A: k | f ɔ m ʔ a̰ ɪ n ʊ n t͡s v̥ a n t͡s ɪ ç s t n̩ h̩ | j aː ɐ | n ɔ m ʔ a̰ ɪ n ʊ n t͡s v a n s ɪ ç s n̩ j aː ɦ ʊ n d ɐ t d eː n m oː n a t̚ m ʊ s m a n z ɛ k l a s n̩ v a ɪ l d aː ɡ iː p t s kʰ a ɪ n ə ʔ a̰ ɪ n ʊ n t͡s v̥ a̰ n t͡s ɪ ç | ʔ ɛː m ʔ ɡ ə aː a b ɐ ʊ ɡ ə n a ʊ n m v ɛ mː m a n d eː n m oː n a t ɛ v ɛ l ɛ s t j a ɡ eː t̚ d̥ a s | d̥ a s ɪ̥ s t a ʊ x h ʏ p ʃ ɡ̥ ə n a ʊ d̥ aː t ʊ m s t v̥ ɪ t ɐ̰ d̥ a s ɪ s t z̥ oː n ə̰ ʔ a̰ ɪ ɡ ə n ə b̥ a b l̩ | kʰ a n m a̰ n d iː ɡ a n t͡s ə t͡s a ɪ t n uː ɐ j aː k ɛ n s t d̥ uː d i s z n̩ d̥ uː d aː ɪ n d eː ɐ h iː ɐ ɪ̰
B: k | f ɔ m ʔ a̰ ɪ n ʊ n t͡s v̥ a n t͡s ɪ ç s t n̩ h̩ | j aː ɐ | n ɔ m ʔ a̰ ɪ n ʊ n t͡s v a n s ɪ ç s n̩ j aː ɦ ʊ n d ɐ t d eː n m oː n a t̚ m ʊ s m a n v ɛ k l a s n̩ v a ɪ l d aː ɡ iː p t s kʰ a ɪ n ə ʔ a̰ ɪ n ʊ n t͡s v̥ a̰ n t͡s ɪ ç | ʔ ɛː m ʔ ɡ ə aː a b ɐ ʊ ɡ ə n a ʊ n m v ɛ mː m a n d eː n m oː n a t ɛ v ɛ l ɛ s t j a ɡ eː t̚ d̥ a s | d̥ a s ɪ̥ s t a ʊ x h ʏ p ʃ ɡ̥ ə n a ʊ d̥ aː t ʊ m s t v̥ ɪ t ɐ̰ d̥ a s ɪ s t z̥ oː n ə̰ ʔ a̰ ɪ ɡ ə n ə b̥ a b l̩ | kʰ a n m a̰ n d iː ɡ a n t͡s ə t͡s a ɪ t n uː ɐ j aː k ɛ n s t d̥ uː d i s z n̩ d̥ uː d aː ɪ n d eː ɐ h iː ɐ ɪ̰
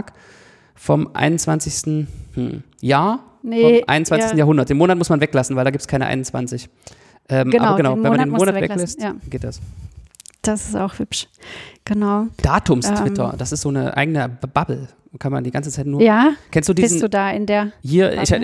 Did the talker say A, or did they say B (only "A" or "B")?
B